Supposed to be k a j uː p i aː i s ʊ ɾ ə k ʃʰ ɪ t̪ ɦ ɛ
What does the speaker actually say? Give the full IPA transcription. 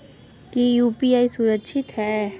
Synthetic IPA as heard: k i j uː p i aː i s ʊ ɾ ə k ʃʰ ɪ t̪ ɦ ɛ